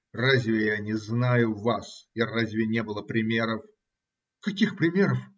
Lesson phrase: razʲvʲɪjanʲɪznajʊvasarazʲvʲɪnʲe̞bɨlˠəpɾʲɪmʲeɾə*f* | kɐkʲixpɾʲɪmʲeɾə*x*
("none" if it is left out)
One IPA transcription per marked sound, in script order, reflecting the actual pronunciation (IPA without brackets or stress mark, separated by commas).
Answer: f, f